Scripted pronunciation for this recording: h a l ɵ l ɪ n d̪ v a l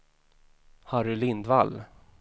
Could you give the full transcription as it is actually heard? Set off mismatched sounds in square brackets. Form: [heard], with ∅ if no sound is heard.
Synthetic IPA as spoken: h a [ɾ] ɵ l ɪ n d̪ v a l